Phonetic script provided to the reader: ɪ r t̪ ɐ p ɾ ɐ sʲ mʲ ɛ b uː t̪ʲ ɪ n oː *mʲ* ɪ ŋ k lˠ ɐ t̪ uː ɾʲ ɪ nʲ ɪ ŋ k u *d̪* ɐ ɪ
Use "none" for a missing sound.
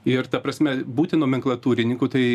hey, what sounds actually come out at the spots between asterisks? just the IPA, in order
mʲ, t̪

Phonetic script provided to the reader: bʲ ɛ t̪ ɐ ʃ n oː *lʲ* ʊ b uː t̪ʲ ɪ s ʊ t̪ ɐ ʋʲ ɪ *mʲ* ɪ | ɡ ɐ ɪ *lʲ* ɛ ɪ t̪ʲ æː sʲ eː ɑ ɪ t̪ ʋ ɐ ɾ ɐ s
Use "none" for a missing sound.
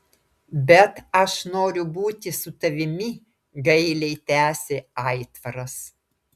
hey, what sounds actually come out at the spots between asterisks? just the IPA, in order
ɾʲ, mʲ, lʲ

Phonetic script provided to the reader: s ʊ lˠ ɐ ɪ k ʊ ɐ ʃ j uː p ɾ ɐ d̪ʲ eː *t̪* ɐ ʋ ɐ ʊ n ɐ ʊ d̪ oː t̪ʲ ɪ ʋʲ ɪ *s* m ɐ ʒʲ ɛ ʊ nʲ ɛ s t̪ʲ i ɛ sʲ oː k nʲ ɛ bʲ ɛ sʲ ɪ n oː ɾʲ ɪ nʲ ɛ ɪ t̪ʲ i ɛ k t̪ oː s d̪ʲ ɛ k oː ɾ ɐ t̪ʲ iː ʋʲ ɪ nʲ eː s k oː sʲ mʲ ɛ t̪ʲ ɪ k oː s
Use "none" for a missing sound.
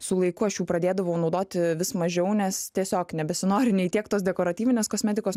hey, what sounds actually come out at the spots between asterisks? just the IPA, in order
d̪, s

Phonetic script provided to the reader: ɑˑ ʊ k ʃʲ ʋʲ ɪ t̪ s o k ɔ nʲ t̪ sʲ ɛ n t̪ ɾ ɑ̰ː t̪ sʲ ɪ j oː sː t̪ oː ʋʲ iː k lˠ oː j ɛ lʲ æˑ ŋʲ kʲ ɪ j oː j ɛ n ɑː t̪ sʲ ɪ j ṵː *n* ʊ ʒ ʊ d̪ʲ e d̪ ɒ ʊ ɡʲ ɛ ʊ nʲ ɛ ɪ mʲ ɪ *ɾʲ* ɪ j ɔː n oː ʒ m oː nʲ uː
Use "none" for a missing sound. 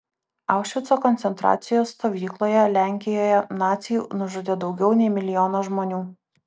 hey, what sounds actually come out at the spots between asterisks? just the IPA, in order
n, lʲ

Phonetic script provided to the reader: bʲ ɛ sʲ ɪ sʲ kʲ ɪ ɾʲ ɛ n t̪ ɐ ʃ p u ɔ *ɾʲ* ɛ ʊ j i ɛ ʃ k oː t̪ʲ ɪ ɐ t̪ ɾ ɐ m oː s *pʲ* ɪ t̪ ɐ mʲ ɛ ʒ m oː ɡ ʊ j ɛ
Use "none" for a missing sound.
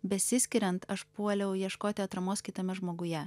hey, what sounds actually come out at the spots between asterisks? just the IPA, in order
lʲ, kʲ

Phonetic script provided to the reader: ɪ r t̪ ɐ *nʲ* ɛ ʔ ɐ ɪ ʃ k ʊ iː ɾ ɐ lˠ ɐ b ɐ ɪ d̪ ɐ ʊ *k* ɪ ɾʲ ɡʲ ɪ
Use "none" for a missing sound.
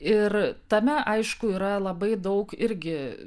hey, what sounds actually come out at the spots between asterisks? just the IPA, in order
mʲ, k

